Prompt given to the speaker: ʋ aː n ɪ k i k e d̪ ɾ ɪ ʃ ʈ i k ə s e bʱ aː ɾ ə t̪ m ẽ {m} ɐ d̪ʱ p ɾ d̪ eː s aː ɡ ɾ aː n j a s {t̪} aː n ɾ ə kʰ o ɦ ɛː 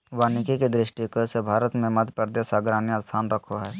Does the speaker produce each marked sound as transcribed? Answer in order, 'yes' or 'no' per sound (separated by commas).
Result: yes, no